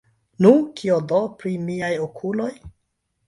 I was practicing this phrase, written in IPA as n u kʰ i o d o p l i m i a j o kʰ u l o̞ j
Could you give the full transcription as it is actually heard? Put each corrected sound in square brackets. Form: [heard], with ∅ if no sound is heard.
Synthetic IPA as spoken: n u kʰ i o d o p [ɾ] i m i a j o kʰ u l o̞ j